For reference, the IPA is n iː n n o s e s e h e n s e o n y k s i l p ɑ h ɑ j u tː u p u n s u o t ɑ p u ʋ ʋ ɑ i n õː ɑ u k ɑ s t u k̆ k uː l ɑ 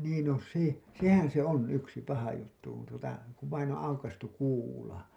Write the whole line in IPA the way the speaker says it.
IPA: n iː n n o s e s e h æ n s e o n y k s i p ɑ h ɑ j u tː u k u n t u o t ɑ k u ʋ ʋ ɑ i n õː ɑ u k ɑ s t u k̆ k uː l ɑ